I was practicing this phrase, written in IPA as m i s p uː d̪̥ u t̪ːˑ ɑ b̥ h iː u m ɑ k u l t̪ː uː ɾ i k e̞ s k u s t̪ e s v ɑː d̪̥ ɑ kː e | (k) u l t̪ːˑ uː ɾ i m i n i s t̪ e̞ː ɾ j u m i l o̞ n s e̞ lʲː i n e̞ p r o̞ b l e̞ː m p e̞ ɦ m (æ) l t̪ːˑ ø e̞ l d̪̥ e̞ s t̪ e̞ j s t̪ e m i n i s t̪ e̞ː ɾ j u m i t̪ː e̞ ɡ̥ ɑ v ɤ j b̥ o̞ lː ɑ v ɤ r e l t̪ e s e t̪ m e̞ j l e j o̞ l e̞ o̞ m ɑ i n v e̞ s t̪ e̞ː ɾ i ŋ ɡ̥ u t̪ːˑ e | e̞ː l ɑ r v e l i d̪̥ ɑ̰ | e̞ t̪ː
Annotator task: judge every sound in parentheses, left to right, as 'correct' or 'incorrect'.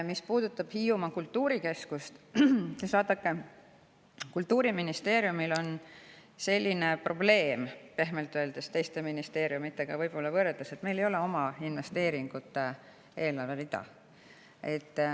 correct, incorrect: e

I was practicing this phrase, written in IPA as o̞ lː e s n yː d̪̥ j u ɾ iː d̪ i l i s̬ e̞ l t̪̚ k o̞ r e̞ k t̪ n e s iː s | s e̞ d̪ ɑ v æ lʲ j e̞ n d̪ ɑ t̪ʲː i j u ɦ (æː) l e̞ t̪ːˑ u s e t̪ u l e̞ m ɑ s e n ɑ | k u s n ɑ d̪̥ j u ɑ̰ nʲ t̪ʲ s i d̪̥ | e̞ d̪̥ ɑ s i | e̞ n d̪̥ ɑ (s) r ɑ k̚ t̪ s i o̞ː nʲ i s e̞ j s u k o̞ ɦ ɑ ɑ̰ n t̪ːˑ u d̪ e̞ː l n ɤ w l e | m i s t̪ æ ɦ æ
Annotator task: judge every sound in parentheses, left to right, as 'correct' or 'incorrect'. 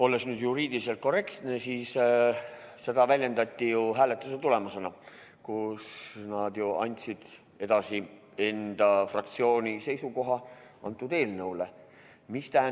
correct, incorrect: f

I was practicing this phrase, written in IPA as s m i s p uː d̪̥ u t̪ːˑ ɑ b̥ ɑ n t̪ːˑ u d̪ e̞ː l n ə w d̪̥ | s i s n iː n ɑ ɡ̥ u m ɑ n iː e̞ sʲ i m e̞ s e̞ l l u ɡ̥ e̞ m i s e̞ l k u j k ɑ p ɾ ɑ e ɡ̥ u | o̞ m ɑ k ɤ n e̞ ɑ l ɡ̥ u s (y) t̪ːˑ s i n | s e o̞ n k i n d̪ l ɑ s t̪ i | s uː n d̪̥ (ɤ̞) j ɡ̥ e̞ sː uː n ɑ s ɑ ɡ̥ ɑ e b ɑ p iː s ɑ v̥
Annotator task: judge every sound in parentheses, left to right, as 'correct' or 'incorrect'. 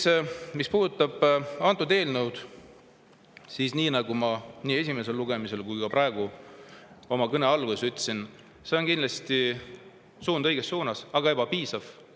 correct, correct

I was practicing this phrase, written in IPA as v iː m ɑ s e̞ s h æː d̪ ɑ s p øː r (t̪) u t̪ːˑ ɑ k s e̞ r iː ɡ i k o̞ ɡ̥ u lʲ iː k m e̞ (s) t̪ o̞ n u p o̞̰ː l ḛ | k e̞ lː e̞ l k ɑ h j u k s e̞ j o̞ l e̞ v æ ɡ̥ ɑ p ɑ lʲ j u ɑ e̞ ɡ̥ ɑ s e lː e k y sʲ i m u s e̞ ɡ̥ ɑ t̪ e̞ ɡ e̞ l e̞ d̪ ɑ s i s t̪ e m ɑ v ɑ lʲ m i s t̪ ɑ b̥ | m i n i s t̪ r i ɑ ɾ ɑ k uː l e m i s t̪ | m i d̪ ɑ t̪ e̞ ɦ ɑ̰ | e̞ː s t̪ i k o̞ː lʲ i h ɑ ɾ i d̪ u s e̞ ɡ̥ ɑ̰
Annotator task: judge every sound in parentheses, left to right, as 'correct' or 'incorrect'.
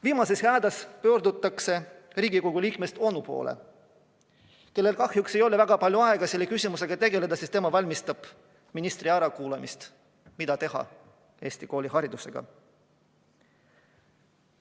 incorrect: d̪, correct

